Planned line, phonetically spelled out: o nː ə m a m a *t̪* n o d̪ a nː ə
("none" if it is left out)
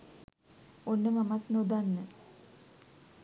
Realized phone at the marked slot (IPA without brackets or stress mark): t̪